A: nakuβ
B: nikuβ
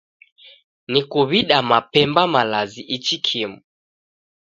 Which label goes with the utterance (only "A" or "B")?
B